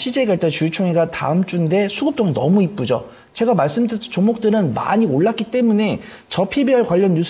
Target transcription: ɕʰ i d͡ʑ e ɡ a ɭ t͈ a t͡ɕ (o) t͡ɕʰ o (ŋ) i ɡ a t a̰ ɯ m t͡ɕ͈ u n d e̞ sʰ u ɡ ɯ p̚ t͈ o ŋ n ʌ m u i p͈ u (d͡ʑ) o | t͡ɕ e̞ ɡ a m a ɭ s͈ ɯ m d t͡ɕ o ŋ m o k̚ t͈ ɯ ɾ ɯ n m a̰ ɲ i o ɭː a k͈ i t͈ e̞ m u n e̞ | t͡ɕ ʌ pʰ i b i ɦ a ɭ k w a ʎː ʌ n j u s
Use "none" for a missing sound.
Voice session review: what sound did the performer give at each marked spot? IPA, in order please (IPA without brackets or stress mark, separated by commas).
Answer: u, ŋ, d͡ʑ